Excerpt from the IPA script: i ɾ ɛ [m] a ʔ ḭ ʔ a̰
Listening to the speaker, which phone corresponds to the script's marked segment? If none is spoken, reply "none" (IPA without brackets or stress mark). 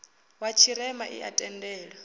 m